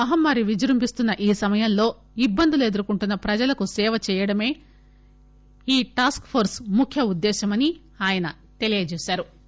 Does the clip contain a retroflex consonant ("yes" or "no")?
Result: yes